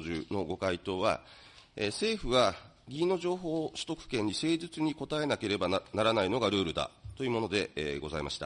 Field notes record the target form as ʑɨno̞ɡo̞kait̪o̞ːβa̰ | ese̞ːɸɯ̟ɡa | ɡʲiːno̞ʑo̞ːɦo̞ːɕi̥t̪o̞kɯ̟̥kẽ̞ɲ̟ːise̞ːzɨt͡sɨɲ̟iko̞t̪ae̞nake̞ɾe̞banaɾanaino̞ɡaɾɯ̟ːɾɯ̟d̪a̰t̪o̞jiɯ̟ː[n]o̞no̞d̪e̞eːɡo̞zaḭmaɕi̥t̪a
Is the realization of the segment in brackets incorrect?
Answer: yes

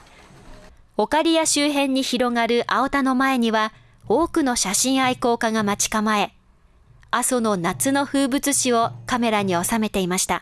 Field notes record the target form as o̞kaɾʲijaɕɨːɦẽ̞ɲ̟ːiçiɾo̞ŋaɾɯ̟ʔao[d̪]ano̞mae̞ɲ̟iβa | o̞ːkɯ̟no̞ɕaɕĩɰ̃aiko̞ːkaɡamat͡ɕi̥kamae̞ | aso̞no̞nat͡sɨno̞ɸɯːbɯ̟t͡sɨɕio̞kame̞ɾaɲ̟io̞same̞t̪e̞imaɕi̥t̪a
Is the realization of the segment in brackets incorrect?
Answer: yes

